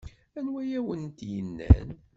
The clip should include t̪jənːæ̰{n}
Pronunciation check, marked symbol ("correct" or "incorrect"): correct